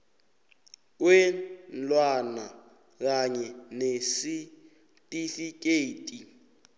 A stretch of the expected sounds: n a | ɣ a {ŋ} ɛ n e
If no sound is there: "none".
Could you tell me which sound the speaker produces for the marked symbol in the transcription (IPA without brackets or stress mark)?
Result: ɲ